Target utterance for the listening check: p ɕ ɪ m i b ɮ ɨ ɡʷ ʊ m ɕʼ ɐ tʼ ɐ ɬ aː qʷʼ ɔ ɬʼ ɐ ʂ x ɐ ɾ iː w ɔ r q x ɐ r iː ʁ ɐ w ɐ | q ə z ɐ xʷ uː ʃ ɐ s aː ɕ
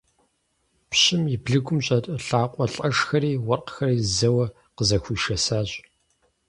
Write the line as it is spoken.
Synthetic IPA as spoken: p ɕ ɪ m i b ɮ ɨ ɡʷ ʊ m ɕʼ ɐ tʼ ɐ ɬ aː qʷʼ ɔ ɬʼ ɐ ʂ x ɐ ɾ iː w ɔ r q x ɐ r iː z ɐ w ɐ | q ə z ɐ xʷ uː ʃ ɐ s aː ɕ